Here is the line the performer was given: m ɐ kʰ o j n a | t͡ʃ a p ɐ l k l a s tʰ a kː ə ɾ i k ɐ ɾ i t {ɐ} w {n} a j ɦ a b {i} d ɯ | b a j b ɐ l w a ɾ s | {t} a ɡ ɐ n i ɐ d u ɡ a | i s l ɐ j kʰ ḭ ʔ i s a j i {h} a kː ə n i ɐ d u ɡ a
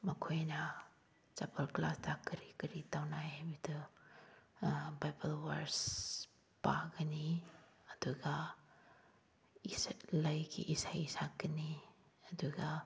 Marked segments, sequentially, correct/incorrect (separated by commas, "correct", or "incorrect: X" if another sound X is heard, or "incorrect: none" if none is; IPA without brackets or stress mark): incorrect: a, correct, correct, incorrect: p, incorrect: s